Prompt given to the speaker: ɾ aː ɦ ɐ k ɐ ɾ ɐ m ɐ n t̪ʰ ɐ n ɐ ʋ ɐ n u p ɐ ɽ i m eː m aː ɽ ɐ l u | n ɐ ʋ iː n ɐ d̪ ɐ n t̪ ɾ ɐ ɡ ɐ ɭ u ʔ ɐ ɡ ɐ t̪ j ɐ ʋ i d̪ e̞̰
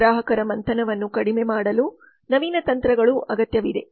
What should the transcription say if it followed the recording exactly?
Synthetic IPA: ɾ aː ɦ ɐ k ɐ ɾ ɐ m ɐ n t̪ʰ ɐ n ɐ ʋ ɐ nː u k ɐ ɽ i m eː m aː ɽ ɐ l u | n ɐ ʋ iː n ɐ t̪ ɐ n t̪ ɾ ɐ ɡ ɐ ɭ u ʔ ɐ ɡ ɐ t̪ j ɐ ʋ i d̪ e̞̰

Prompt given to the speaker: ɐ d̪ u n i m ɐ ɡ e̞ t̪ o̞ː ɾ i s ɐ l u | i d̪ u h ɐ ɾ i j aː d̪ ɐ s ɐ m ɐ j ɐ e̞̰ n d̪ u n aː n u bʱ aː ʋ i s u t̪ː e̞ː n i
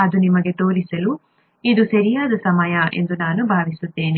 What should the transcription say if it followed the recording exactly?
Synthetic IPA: ɐ d̪ u n i m ɐ ɡ e̞ t̪ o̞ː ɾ i s ɐ l u | i d̪ u s ɐ ɾ i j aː d̪ ɐ s ɐ m ɐ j ɐ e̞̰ n d̪ u n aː n u bʱ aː ʋ i s u t̪ː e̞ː n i

